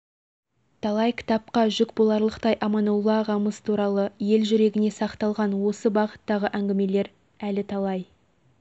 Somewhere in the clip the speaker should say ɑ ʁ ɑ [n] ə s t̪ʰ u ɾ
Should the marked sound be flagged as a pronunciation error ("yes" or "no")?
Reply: yes